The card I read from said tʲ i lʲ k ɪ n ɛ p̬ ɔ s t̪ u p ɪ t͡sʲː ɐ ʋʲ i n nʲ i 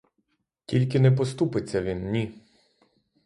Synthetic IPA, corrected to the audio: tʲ i lʲ k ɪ n ɛ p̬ ɔ s t̪ u p ɪ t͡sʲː ɐ ʋʲ i n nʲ i